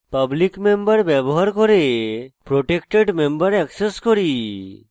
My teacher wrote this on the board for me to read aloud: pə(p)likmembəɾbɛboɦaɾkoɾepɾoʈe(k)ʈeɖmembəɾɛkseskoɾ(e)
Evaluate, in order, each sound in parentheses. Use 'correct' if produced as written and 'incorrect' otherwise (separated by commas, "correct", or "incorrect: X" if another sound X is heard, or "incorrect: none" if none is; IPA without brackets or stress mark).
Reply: incorrect: b, correct, incorrect: i